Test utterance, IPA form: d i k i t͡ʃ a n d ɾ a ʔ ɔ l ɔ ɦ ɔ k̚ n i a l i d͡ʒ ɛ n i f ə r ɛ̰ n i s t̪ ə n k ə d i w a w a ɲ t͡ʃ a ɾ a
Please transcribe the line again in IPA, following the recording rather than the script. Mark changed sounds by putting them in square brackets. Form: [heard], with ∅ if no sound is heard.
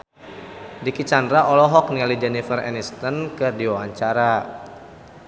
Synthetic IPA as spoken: d i k i t͡ʃ a n d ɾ a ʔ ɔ l ɔ ɦ ɔ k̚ n i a l i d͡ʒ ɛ n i f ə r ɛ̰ n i s t̪ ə n k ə d i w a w a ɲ t͡ʃ a ɾ a